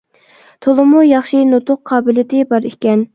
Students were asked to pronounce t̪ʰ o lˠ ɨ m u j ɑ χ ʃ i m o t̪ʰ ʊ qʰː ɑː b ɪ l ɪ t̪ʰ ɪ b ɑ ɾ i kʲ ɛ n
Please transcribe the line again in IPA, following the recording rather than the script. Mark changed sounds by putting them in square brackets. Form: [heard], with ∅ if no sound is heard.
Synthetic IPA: t̪ʰ o lˠ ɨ m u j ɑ χ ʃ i [n] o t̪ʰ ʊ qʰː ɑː b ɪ l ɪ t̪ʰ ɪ b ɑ ɾ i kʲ ɛ n